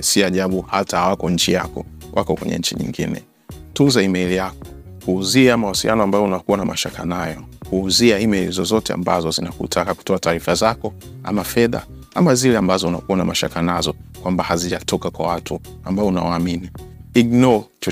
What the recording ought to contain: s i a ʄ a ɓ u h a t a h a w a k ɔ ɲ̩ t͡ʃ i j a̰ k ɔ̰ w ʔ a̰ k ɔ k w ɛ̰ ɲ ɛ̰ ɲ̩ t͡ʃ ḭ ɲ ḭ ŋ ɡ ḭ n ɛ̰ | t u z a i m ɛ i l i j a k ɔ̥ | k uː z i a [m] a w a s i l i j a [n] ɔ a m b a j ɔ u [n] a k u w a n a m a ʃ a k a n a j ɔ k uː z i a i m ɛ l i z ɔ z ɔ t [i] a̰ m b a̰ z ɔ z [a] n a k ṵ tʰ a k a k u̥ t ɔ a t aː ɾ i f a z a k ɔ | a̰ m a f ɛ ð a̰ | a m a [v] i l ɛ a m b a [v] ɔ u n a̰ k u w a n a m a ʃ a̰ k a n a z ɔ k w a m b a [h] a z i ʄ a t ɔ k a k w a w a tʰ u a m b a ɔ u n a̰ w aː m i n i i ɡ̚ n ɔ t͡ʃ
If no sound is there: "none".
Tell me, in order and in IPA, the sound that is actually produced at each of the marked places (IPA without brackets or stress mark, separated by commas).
m, n, n, ɛ, i, z, z, h